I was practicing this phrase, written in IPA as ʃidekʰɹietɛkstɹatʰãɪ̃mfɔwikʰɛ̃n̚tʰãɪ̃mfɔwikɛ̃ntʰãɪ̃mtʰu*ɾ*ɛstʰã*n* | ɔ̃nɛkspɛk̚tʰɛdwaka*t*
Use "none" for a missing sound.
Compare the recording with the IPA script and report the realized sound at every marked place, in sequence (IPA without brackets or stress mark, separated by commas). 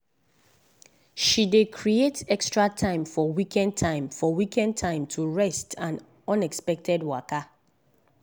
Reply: ɹ, n, none